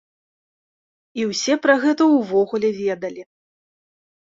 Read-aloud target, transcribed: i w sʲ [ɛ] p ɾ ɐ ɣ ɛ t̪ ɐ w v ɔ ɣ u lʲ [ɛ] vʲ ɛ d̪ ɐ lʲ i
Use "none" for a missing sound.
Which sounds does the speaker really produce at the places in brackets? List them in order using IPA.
ɛ, ɛ

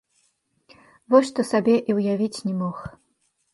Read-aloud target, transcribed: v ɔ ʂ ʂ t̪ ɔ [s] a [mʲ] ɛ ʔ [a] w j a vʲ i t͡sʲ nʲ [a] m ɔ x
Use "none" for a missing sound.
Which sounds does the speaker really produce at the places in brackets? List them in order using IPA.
s, bʲ, i, ɛ

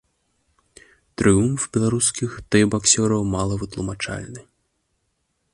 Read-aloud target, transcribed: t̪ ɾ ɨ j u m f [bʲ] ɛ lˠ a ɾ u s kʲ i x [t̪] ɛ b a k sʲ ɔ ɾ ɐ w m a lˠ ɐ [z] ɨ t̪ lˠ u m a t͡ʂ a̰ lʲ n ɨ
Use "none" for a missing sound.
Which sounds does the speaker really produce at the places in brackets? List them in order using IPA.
bʲ, t̪, v

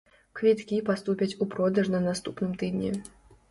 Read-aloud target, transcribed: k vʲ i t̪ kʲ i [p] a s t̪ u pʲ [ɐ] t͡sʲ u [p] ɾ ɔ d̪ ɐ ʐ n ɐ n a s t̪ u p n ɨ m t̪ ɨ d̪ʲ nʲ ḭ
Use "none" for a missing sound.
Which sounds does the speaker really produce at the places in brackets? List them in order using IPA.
p, ɐ, p

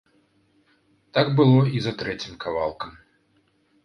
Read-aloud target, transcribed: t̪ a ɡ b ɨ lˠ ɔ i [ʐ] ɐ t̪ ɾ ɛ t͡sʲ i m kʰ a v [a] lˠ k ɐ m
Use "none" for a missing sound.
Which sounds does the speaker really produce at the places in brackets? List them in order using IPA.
z, a

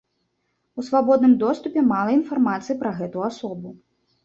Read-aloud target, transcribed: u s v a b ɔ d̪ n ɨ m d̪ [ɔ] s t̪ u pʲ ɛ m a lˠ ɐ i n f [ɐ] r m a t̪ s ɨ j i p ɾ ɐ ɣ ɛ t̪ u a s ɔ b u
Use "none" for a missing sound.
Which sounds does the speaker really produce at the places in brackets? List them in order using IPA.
ɔ, a

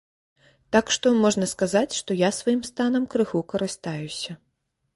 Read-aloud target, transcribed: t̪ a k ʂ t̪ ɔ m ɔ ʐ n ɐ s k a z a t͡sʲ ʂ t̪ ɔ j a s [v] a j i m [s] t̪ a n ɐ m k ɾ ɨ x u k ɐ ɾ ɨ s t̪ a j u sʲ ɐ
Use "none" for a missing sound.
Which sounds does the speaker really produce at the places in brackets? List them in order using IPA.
v, s

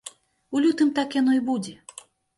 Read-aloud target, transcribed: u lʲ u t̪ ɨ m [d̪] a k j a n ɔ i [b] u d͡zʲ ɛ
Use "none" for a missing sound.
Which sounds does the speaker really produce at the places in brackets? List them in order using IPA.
t̪, b

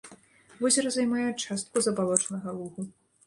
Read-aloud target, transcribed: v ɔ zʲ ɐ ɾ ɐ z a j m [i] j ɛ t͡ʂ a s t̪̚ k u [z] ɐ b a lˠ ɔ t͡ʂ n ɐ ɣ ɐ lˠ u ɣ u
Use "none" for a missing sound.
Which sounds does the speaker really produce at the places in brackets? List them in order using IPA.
a, z

